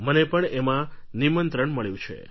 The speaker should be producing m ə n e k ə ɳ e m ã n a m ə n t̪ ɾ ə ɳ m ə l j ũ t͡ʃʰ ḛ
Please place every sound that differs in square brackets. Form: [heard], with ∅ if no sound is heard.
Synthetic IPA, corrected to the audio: m ə n e [p] ə ɳ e m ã n [i] m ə n t̪ ɾ ə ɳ m ə [ɭ] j ũ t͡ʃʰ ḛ